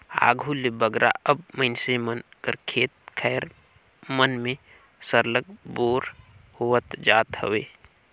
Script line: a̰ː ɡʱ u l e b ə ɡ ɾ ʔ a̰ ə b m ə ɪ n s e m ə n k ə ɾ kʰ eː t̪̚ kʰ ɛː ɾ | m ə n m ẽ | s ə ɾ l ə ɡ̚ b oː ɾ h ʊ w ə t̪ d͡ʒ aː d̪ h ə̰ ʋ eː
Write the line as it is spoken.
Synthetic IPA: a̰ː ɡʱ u l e b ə ɡ ɾ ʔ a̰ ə b m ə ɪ n s e m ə n k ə ɾ kʰ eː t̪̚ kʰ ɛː ɾ | m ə n m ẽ | s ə ɾ l ə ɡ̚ b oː ɾ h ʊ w ə t̪ d͡ʒ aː t̪ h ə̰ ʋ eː